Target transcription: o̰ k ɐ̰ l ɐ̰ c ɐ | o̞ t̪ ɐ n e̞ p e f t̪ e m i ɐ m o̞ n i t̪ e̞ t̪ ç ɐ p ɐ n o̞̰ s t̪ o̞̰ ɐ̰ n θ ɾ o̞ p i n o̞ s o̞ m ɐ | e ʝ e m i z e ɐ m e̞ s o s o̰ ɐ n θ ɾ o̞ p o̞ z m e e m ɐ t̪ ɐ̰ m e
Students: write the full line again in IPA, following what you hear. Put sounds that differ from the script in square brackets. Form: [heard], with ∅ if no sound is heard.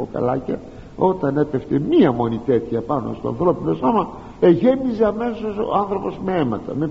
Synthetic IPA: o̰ k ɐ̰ l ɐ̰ c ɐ | o̞ t̪ ɐ n e̞ p e f t̪ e m i ɐ m o̞ n i t̪ e̞ t̪ ç ɐ p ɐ n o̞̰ s t̪ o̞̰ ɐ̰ n θ ɾ o̞ p i n o̞ s o̞ m ɐ | e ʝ e m i z e ɐ m e̞ s o s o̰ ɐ n θ ɾ o̞ p o̞ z m e e m ɐ t̪ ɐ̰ m e